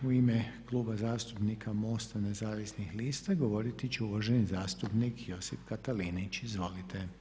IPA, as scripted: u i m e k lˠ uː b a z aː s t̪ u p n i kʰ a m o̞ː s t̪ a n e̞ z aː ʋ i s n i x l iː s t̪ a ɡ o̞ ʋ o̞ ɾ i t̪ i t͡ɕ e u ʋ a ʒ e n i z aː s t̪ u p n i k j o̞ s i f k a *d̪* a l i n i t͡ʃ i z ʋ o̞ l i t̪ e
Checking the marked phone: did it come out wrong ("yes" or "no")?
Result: yes